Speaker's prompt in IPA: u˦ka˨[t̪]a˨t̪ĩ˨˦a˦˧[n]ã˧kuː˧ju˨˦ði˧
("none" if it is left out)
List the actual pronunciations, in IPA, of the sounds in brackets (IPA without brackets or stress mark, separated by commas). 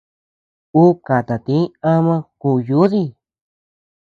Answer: t̪, m